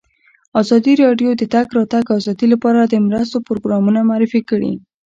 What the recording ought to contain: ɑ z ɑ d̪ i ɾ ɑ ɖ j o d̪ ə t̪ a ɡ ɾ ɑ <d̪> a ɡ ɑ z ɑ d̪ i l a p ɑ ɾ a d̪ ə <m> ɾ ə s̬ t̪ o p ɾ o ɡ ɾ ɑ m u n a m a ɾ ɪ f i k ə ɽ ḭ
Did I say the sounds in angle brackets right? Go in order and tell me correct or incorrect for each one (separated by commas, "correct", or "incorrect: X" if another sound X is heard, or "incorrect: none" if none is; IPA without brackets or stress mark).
incorrect: t̪, correct